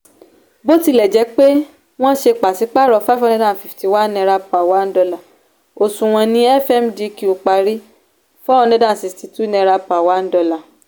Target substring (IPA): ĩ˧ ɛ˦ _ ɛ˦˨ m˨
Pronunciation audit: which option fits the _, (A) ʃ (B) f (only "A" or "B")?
B